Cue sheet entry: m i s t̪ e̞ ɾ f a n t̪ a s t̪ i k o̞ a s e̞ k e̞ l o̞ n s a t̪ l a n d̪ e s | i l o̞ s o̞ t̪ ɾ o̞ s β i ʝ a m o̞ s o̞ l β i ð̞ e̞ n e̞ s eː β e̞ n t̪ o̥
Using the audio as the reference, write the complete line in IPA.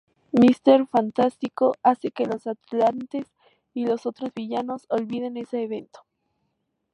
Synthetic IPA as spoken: m i s t̪ e̞ ɾ f a n t̪ a s t̪ i k o̞ a s e̞ k e̞ l o̞ s a t̪ l a n t̪ e s | i l o̞ s o̞ t̪ ɾ o̞ z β i ʝ a n o̞ s o̞ l β i ð̞ e̞ n e̞ s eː β e̞ n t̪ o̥